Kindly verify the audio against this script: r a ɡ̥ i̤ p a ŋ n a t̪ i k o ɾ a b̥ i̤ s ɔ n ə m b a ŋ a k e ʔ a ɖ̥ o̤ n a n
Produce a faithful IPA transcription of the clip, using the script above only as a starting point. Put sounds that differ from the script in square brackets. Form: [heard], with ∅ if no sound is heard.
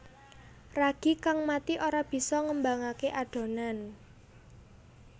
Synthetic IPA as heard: r a ɡ̥ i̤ [k] a ŋ [m] a t̪ i [ʔ] o ɾ a b̥ i̤ s ɔ [ŋ] ə m b a ŋ a k e ʔ a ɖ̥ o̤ n a n

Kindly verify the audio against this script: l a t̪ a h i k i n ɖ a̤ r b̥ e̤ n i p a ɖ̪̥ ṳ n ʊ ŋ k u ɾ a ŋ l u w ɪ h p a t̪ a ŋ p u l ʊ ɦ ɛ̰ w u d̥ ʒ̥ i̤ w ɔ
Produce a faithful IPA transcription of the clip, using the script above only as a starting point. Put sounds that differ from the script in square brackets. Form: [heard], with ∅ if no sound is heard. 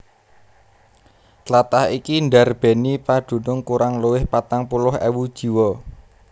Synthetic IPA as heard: l a t̪ a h i k i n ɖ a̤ r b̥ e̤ n i p a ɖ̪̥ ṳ n ʊ ŋ k u ɾ a ŋ l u w ɪ h p a t̪ a ŋ p u l ʊ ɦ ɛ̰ w u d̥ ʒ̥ i̤ w ɔ

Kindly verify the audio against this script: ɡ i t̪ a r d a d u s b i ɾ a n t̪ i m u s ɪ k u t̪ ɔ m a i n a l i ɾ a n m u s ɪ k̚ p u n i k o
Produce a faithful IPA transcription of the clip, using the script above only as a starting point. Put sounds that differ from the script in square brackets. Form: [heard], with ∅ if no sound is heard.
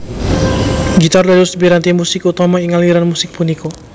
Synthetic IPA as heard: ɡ i t̪ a r d a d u s b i ɾ a n t̪ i m u s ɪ k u t̪ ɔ m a i [ŋ] a l i ɾ a n m u s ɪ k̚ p u n i k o

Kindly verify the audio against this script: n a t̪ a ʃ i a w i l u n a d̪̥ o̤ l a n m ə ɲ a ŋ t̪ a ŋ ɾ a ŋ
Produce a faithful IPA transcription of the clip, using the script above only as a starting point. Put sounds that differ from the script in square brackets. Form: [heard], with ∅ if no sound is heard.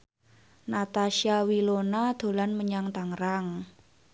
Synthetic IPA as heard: n a t̪ a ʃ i a w i l [o] n a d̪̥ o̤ l a n m ə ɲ a ŋ t̪ a ŋ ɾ a ŋ

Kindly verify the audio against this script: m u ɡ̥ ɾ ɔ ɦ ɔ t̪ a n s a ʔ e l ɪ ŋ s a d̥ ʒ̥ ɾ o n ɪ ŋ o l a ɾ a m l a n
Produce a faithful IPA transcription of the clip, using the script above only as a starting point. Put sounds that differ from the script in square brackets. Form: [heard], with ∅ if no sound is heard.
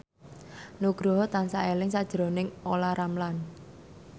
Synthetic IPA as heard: [n] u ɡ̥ ɾ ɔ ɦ ɔ t̪ a n s a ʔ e l ɪ ŋ s a d̥ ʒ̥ ɾ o n ɪ ŋ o l a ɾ a m l a n

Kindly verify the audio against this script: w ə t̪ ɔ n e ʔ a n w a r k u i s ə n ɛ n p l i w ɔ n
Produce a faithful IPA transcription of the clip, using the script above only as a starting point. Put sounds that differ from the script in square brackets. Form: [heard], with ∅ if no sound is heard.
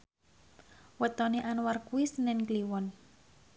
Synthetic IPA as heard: w ə t̪ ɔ n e ʔ a n w a r k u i s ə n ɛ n [k] l i w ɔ n

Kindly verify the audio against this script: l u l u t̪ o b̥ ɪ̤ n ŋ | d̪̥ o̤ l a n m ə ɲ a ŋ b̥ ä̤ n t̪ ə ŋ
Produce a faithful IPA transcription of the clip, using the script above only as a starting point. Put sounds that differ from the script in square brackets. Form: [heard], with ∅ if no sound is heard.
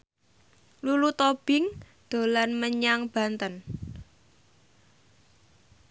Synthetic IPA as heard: l u l u t̪ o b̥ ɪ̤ [∅] ŋ | d̪̥ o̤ l a n m ə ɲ a ŋ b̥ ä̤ n t̪ ə [n]

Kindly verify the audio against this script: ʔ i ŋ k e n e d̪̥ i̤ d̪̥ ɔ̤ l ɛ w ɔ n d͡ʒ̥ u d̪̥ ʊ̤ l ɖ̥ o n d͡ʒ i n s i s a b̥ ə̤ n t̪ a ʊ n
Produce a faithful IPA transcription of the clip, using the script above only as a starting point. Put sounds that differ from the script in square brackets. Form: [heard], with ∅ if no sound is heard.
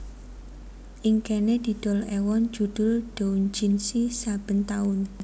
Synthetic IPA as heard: ʔ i ŋ k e n e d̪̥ i̤ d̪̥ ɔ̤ l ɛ w ɔ n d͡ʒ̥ u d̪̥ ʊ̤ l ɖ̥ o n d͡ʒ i n s i s a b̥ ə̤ n t̪ a ʊ n

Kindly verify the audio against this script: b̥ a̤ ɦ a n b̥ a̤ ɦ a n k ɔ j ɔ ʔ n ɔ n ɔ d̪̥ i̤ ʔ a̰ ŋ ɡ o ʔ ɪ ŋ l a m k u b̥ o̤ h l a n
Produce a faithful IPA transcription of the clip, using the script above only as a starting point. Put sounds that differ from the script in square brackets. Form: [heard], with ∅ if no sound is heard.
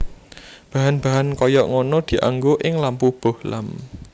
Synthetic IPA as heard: b̥ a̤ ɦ a n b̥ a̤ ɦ a n k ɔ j ɔ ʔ [ŋ] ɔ n ɔ d̪̥ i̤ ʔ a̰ ŋ ɡ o ʔ ɪ ŋ l a m [p] u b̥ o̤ h l a [m]

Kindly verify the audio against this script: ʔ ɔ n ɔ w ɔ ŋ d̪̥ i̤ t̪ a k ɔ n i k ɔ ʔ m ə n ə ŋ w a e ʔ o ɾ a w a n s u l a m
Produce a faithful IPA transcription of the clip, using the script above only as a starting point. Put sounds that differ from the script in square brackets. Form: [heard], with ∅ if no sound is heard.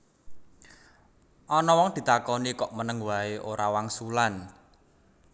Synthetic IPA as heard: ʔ ɔ n ɔ w ɔ ŋ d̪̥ i̤ t̪ a k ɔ n i k ɔ ʔ m ə n ə ŋ w a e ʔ o ɾ a w a [ŋ] s u l a [n]

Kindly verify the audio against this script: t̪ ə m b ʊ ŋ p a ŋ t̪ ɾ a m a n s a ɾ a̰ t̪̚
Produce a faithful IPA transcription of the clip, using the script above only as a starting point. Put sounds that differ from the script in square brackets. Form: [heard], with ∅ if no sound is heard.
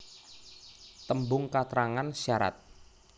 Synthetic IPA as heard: t̪ ə m b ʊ ŋ [k] a [∅] t̪ ɾ a [ŋ] a n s a ɾ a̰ t̪̚

